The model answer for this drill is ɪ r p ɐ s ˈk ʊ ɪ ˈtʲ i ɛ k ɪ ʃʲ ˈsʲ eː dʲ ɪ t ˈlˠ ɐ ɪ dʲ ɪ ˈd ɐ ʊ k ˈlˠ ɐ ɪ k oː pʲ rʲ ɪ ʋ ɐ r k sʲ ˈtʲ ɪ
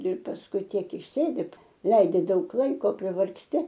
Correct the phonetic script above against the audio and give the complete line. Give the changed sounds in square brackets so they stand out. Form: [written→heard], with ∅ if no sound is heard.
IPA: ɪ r p ɐ s ˈk ʊ ɪ ˈtʲ i ɛ k ɪ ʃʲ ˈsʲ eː dʲ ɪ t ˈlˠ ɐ ɪ dʲ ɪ ˈd ɐ ʊ k ˈlˠ ɐ ɪ k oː pʲ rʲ ɪ ʋ ɐ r k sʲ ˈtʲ ɪ